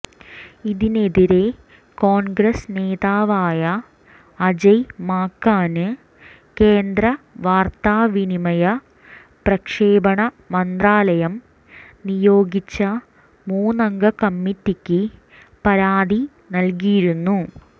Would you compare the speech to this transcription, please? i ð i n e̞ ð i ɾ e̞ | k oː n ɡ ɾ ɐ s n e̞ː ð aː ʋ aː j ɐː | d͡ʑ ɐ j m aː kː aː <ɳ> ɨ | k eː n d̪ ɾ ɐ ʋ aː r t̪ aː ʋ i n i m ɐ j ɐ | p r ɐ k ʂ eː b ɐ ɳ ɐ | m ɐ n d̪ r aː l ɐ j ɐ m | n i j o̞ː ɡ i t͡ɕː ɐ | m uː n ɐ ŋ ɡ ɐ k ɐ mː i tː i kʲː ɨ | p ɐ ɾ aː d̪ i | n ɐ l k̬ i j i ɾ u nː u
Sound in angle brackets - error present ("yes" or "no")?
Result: yes